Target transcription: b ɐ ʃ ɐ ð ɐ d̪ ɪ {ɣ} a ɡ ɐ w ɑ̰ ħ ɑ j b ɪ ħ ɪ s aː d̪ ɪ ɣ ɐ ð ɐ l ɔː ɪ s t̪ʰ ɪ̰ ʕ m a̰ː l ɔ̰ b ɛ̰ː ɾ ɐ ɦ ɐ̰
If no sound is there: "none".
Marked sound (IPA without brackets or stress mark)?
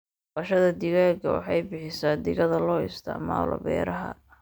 ɣ